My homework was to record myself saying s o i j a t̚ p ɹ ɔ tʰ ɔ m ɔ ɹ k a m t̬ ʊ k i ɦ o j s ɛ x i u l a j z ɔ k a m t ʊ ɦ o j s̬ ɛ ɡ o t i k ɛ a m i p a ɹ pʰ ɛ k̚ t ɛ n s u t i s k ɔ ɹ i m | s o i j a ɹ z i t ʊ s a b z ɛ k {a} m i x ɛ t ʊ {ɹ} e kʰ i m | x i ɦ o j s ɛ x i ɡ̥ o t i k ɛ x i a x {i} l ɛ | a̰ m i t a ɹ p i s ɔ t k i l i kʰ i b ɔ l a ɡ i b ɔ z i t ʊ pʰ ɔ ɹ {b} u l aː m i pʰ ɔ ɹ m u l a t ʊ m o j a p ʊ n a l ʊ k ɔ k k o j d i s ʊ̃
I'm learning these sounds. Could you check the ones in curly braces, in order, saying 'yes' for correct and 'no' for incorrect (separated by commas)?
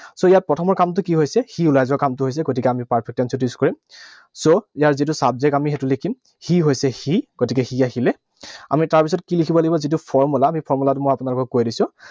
yes, no, yes, no